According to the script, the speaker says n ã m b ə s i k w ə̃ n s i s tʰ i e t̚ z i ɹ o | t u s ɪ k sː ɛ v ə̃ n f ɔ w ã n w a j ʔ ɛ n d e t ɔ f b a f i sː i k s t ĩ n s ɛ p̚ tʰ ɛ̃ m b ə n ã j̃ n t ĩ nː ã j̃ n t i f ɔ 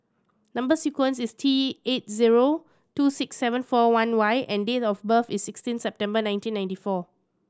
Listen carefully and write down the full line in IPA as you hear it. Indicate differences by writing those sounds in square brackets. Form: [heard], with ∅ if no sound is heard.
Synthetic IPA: n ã m b ə s i k w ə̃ n s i s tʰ i e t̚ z i ɹ o | t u s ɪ k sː ɛ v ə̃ n f ɔ w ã n w a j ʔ [ɛ̃] n d e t ɔ f b [ə] f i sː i k s t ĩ n s ɛ p̚ [t] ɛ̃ m b ə n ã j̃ n t ĩ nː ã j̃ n t i f ɔ